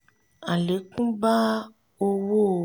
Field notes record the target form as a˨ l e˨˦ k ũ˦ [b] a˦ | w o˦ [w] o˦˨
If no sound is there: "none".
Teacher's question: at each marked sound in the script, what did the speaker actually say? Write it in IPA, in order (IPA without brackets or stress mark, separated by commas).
b, w